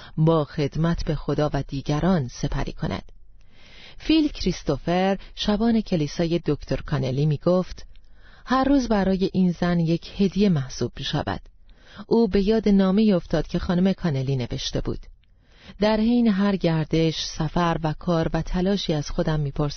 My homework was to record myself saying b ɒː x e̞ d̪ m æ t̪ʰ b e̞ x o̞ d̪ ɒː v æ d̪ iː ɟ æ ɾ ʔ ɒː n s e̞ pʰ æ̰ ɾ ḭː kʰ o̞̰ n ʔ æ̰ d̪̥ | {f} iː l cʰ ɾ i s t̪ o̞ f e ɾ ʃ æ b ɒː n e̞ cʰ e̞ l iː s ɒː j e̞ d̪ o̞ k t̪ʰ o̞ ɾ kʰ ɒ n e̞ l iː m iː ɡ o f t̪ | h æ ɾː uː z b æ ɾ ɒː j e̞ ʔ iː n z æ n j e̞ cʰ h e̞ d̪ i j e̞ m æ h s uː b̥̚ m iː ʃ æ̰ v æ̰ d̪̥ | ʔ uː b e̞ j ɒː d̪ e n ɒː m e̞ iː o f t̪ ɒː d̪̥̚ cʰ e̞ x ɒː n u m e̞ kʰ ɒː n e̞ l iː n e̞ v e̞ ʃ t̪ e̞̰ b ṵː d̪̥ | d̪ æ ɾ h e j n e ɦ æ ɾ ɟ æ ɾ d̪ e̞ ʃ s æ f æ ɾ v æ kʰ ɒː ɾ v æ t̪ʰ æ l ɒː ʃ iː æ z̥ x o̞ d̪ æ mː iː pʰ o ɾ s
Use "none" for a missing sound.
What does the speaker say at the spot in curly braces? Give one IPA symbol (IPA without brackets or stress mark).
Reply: f